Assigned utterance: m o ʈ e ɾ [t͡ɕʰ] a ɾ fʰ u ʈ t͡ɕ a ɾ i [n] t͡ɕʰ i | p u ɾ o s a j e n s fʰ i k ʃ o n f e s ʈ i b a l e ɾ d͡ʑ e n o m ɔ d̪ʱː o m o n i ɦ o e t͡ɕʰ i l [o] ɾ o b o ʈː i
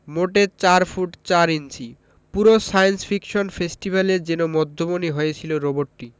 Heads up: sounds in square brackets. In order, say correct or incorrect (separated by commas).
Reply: incorrect, correct, correct